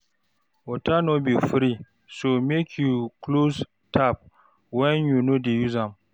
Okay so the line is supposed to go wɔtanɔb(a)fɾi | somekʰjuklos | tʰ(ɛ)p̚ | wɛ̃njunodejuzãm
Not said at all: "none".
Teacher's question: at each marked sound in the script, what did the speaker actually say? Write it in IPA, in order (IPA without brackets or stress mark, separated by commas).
i, a